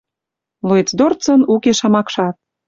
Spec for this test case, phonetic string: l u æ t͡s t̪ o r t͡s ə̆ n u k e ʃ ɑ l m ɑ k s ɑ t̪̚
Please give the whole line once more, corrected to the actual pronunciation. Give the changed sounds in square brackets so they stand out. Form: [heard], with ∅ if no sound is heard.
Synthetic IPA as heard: l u [e] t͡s [d̪] o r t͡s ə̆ n u k e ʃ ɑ [∅] m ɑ k [ʃ] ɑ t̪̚